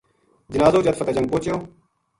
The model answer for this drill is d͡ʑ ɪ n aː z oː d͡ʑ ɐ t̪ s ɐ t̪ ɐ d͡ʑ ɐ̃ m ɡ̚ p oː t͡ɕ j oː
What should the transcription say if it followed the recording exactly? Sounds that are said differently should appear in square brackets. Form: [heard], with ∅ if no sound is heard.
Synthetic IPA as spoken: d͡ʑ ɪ n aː z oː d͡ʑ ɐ t̪ [f] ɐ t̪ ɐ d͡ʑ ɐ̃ [ŋ] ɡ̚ p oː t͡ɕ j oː